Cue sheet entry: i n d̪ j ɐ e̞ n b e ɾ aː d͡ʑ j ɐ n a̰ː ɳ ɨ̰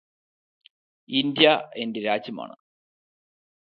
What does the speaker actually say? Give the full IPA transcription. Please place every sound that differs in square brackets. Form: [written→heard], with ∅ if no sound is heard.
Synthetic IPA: i n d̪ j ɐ e̞ n [b→d] e ɾ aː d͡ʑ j ɐ [n→m] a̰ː ɳ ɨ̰

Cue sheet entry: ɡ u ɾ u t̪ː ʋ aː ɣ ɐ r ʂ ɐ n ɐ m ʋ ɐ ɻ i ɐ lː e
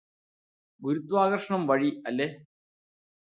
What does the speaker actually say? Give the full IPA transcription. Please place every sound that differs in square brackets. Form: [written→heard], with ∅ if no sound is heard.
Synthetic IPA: ɡ u ɾ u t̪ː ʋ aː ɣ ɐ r ʂ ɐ [n→ɳ] ɐ m ʋ ɐ ɻ i ɐ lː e

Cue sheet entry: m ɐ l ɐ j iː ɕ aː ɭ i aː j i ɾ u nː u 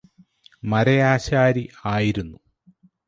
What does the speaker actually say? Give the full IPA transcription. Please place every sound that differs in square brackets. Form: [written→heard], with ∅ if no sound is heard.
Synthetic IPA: m ɐ [l→ɾ] ɐ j [iː→aː] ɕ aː [ɭ→ɾ] i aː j i ɾ u nː u

